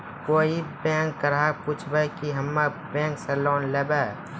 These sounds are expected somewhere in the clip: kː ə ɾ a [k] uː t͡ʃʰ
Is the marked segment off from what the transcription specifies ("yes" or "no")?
yes